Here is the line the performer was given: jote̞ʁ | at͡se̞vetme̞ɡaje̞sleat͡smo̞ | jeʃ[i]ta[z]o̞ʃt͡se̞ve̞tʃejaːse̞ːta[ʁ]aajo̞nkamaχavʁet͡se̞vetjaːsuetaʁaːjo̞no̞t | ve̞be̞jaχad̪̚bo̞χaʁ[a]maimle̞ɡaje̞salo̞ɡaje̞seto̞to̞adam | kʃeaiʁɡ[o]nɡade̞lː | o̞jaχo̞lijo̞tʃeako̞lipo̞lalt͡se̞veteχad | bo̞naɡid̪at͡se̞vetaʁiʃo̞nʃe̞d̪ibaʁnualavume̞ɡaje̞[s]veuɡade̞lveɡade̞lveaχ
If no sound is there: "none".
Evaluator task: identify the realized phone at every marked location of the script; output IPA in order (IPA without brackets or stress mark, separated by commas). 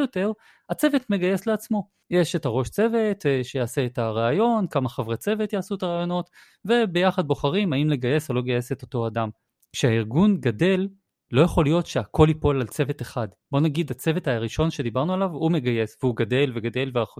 e, ʁ, ʁ, i, u, s